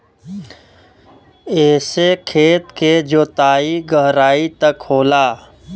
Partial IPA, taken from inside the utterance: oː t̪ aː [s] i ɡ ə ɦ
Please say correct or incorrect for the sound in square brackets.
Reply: incorrect